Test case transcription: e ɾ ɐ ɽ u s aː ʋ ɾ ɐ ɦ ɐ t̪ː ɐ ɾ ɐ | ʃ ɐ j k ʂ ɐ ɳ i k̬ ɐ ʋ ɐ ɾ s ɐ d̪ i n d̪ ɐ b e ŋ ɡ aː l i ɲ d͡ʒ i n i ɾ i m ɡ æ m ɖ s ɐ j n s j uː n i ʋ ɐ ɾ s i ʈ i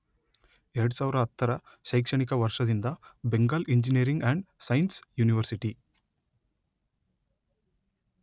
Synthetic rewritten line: e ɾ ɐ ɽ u s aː ʋ ɾ ɐ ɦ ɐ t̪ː ɐ ɾ ɐ | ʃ ɐ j k ʂ ɐ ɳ i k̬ ɐ ʋ ɐ ɾ ʂ ɐ d̪ i n d̪ ɐ b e ŋ ɡ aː l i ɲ d͡ʒ i n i ɾ i ŋ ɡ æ ɳ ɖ s ɐ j n s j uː n i ʋ ɐ ɾ s i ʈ i